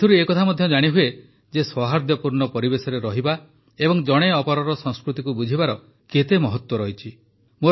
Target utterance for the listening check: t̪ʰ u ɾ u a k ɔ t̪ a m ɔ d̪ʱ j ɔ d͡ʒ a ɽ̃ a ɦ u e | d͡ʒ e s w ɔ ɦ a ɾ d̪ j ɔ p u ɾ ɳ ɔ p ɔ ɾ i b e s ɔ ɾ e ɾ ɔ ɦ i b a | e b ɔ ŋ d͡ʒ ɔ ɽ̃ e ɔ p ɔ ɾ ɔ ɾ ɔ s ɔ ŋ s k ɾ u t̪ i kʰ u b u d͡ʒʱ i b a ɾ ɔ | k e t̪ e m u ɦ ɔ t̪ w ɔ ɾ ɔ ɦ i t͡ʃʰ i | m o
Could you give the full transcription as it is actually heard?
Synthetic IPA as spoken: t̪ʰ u ɾ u e k ɔ t̪ʰ a m ɔ d̪ʱ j ɔ d͡ʒ a ɽ̃ i ɦ u e | d͡ʒ e s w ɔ ɦ a ɾ d̪ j ɔ p u ɾ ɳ ɔ p ɔ ɾ i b e s ɔ ɾ e ɾ ɔ ɦ i b a | e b ɔ ŋ d͡ʒ ɔ ɽ̃ e ɔ p ɔ ɾ ɔ ɾ ɔ s ɔ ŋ s k ɾ u t̪ i k u b u d͡ʒʱ i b a ɾ ɔ | k e t̪ e m ɔ ɦ ɔ t̪ w ɔ ɾ ɔ ɦ i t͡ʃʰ i | m o

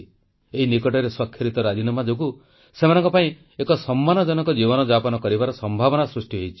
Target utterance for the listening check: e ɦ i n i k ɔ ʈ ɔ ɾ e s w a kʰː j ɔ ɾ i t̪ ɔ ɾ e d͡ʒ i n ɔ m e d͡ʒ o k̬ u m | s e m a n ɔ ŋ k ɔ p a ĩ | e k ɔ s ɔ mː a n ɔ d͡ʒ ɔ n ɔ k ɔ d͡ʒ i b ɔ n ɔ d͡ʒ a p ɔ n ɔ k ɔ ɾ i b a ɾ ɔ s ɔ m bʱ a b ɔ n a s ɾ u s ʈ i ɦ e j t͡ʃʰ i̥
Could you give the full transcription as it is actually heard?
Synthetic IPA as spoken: e ɦ i n i k ɔ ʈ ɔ ɾ e s w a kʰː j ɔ ɾ i t̪ ɔ ɾ a d͡ʒ i n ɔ m a d͡ʒ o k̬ u | s e m a n ɔ ŋ k ɔ p a ĩ | e k ɔ s ɔ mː a n ɔ d͡ʒ ɔ n ɔ k ɔ d͡ʒ i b ɔ n ɔ d͡ʒ a p ɔ n ɔ k ɔ ɾ i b a ɾ ɔ s ɔ m bʱ a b ɔ n a s ɾ u s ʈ i ɦ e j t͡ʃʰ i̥

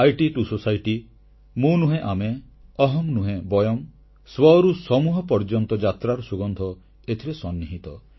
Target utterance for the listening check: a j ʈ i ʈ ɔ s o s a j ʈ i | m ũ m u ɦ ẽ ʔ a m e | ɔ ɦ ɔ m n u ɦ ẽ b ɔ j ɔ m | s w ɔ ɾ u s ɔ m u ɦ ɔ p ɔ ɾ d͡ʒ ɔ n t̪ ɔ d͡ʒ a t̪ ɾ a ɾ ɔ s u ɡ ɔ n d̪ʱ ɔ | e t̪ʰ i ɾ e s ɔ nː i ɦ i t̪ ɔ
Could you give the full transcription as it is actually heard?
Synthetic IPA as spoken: a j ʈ i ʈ u s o s a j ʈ i | m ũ n u ɦ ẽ ʔ a m e | ɔ ɦ ɔ m n u ɦ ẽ b ɔ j ɔ m | s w ɔ ɾ u s ɔ m u ɦ ɔ p ɔ ɾ d͡ʒ ɔ n t̪ ɔ d͡ʒ a t̪ ɾ a ɾ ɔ s u ɡ ɔ n d̪ʱ ɔ | e t̪ʰ i ɾ e s ɔ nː i ɦ i t̪ ɔ

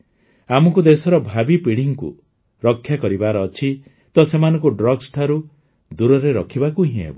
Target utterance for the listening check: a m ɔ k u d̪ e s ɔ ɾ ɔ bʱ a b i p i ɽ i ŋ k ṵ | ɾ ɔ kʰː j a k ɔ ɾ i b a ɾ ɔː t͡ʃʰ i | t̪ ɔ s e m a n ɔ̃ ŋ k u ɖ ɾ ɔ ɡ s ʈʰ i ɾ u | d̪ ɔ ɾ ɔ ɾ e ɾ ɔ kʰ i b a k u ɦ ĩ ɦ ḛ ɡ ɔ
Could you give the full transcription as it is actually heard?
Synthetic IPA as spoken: a m ɔ k u d̪ e s ɔ ɾ ɔ bʱ a b i p i ɽ i ŋ k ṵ | ɾ ɔ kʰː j a k ɔ ɾ i b a ɾ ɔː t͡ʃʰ i | t̪ ɔ s e m a n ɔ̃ ŋ k u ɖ ɾ ɔ ɡ s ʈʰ a ɾ u | d̪ u ɾ ɔ ɾ e ɾ ɔ kʰ i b a k u ɦ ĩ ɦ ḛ b ɔ

